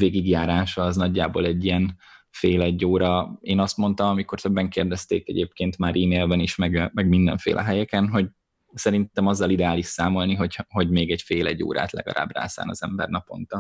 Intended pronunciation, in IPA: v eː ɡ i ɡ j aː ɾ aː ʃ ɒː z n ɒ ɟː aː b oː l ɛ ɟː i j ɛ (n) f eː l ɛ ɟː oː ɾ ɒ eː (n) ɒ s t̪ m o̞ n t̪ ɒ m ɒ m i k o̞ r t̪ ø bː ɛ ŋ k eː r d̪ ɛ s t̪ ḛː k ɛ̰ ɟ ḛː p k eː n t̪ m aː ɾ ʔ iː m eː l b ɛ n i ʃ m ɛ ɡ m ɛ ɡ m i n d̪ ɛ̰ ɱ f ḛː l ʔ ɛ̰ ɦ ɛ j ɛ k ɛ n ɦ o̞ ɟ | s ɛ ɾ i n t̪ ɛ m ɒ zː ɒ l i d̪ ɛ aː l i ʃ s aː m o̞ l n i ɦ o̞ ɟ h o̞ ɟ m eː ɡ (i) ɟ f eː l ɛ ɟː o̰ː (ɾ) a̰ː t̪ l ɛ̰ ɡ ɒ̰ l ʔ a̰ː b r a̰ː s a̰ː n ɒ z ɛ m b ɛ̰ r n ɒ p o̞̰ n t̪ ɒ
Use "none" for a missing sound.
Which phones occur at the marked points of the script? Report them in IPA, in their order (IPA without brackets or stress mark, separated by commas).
n, n, ɛ, ɾ